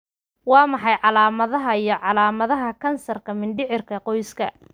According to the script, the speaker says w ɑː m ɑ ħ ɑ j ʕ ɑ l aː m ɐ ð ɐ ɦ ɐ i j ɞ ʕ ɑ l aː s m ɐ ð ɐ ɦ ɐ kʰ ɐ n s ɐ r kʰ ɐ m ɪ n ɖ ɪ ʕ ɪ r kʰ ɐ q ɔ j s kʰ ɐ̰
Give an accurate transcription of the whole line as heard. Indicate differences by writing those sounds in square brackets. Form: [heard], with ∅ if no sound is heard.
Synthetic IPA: w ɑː m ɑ ħ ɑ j ʕ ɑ l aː m ɐ ð ɐ ɦ ɐ i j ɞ ʕ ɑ l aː [∅] m ɐ ð ɐ ɦ ɐ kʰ ɐ n s ɐ r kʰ ɐ m ɪ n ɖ ɪ ʕ ɪ r kʰ ɐ q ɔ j s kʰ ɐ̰